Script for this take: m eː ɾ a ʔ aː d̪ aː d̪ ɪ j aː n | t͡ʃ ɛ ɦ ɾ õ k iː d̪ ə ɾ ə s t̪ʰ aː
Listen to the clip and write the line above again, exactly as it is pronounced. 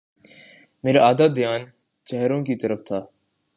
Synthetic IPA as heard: m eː ɾ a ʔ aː d̪ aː d̪ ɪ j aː n | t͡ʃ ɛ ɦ ɾ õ k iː t̪ ə ɾ ə f t̪ʰ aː